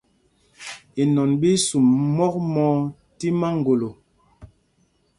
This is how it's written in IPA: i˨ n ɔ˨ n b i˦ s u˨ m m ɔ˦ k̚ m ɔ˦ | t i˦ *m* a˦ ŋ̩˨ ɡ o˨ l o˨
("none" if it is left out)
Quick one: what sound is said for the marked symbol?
m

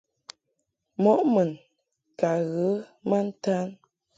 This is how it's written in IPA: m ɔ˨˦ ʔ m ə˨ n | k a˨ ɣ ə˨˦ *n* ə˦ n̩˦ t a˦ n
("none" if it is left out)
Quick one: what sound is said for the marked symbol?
m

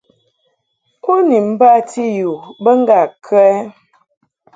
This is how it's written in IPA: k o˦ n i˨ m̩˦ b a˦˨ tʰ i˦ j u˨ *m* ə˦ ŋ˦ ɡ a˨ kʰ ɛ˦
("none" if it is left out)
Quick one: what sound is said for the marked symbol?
b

